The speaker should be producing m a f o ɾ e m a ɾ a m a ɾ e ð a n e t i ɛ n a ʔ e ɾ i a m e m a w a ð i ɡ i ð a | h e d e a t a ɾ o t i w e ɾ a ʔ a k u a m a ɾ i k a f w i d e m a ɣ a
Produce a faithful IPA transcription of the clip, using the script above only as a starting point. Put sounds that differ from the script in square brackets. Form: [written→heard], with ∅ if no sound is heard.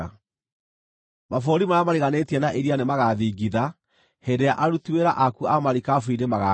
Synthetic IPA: m a f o ɾ [e→i] m a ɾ a m a ɾ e [ð→ɣ] a n e t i ɛ n a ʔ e ɾ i a [m→n] e m a [w→ɣ] a ð i ɡ i ð a | h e d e a [t→ʔ] a ɾ [o→u] t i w e ɾ a ʔ a k u a m a ɾ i k a f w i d e m a ɣ a

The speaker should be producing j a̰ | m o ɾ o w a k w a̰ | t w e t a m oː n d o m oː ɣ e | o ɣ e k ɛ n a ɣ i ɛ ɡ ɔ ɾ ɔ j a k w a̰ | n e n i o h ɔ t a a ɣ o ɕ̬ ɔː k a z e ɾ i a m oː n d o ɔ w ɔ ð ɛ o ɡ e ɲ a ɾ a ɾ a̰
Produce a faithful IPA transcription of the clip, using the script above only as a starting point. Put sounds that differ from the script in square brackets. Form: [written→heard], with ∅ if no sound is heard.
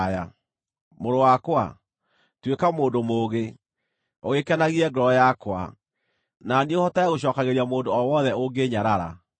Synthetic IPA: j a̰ | m o ɾ o w a k w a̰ | t w e [t→k] a m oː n d o m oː ɣ e | o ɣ e k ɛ n a ɣ i ɛ ɡ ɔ ɾ ɔ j a k w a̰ | n [e→a] n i o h ɔ t a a ɣ o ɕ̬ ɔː k a [z→ɣ] e ɾ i a m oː n d o ɔ w ɔ ð ɛ o ɡ e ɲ a ɾ a ɾ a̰

